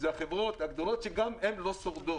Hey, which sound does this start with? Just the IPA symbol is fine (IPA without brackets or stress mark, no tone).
z